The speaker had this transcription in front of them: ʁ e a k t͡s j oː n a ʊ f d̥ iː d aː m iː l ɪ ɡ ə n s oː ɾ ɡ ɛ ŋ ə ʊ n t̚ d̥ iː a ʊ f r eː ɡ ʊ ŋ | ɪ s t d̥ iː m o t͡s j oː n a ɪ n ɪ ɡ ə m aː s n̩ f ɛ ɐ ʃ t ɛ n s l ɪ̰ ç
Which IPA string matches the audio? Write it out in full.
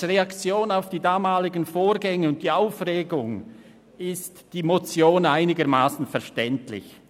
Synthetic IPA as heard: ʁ e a k t͡s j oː n a ʊ f d̥ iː d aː m aː l ɪ ɡ ə n f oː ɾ ɡ ɛ ŋ ə ʊ n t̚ d̥ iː a ʊ f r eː ɡ ʊ ŋ | ɪ s t d̥ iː m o t͡s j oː n a ɪ n ɪ ɡ ə m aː s n̩ f ɛ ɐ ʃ t ɛ n t l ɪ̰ ç